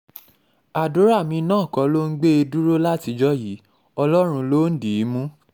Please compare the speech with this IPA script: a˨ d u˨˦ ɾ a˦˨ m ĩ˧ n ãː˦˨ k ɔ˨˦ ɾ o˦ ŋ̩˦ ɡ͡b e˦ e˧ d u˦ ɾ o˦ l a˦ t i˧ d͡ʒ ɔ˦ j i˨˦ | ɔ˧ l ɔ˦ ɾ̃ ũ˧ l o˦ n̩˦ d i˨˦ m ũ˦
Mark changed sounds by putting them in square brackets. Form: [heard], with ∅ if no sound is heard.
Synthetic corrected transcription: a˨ d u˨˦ ɾ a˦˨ m ĩ˧ n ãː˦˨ k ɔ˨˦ [l] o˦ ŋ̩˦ ɡ͡b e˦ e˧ d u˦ ɾ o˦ l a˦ t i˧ d͡ʒ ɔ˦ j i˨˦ | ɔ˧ l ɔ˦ ɾ̃ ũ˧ l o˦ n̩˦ d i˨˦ m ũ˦